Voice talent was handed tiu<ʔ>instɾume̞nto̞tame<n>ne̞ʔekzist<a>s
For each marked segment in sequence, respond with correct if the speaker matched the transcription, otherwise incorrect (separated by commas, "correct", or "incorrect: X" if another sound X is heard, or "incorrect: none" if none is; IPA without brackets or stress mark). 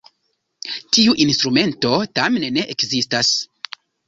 correct, correct, correct